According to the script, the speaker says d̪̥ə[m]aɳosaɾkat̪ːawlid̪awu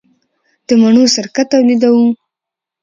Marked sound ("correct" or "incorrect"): correct